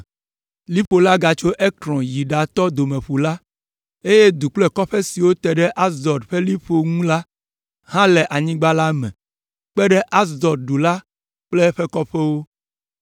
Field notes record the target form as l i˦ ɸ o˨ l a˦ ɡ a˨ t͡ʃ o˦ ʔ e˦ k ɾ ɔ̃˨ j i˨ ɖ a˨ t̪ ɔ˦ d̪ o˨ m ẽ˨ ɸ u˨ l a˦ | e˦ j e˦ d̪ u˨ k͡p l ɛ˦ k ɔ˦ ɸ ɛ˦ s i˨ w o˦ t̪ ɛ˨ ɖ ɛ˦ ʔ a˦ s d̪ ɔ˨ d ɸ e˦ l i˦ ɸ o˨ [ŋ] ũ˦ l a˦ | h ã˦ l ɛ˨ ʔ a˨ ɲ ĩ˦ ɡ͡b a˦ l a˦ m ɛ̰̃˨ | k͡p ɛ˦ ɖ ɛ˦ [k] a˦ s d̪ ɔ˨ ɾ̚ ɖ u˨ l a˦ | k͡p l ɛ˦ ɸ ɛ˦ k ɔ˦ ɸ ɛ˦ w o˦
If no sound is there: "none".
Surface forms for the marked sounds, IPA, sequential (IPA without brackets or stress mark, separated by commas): ŋ, ʔ